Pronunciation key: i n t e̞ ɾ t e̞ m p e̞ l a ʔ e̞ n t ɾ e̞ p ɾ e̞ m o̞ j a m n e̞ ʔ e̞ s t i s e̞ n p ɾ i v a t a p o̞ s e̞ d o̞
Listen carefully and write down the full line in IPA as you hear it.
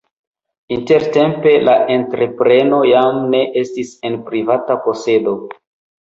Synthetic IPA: i n t e̞ ɾ t e̞ m p e̞ l a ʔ e̞ n t ɾ e̞ p ɾ e̞ n o̞ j a m n e̞ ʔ e̞ s t i s e̞ n p ɾ i v a t a p o̞ s e̞ d o̞